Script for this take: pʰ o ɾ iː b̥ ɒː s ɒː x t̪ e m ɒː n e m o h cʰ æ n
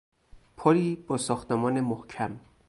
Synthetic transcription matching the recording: pʰ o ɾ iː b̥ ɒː s ɒː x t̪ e m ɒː n e m o h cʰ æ m